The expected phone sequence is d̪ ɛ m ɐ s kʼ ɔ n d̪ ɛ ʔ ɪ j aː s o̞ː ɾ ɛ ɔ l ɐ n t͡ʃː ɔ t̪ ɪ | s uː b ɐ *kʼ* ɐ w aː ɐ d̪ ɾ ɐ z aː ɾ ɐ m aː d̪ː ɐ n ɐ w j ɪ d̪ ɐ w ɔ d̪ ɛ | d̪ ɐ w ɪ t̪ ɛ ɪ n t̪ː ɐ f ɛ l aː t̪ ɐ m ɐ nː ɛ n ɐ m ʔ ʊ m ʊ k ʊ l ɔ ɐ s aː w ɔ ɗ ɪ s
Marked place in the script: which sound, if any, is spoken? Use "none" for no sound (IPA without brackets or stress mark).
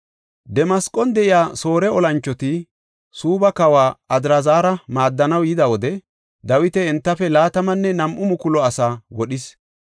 k